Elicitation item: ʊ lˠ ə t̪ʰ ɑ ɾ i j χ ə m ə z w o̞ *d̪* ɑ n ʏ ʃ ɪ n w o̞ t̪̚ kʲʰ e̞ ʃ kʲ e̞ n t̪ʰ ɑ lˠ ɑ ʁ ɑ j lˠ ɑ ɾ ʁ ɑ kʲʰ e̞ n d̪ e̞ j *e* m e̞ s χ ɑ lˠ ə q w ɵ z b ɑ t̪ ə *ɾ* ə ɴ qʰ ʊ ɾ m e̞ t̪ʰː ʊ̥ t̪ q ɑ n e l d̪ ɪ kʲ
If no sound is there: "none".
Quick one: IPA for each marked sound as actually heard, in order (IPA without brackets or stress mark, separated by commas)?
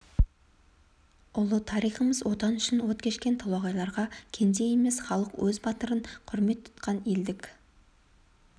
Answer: t̪, e, ɾ